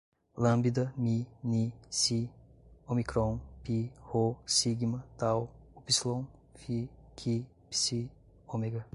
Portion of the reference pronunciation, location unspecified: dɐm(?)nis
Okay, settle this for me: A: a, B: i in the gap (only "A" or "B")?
B